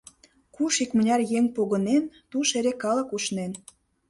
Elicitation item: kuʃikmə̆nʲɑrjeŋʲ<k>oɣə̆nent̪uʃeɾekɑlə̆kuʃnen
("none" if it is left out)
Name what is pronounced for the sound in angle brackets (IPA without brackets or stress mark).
p